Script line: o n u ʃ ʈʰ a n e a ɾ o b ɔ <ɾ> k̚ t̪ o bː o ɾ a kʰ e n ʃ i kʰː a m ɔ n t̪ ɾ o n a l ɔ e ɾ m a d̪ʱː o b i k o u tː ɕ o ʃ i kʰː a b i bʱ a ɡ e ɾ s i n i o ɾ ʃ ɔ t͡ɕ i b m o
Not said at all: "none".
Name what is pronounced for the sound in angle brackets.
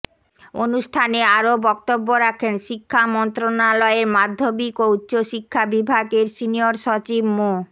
none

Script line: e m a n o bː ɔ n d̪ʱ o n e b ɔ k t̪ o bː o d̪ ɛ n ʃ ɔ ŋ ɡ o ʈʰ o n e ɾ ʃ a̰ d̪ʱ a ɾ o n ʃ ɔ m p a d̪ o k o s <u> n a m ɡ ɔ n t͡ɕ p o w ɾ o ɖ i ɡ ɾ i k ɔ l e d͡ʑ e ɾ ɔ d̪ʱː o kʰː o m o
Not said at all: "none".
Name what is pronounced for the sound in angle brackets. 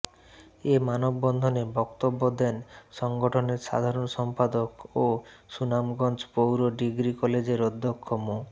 u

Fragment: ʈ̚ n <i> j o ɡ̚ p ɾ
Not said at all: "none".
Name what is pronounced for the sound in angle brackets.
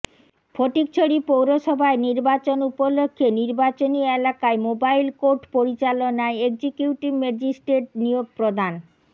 i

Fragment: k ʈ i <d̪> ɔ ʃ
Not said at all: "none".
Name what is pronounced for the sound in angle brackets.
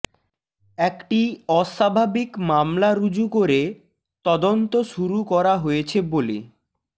none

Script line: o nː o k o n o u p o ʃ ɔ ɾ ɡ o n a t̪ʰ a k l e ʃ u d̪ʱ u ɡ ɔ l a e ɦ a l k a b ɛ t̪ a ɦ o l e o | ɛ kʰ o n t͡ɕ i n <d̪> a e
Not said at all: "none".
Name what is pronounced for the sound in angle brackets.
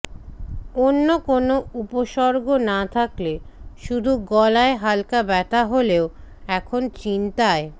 t̪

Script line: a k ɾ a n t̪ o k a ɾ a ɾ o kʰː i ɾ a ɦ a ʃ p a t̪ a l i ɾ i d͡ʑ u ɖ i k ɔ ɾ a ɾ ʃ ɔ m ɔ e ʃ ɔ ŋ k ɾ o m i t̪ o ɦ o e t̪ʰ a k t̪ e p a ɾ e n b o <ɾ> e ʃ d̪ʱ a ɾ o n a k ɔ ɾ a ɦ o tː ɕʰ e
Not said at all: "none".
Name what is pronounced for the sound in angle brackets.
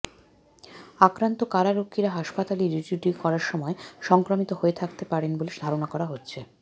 l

